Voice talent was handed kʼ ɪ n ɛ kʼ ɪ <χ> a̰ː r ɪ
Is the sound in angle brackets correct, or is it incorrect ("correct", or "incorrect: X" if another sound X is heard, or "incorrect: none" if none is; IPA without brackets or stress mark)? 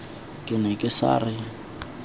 incorrect: s